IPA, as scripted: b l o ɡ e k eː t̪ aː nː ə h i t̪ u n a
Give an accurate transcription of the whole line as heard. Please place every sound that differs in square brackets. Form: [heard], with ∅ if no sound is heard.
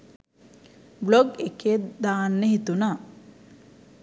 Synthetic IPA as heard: b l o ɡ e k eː [d̪] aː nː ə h i t̪ u n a